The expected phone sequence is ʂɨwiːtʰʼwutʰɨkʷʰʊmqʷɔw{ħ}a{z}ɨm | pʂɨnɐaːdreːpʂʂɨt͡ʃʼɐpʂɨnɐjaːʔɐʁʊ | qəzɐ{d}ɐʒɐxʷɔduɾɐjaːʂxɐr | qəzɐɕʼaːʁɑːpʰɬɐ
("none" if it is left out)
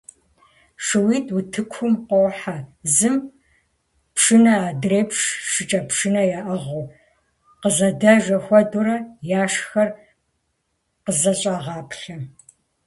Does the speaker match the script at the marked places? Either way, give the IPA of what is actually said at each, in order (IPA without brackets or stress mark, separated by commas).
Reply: ħ, z, d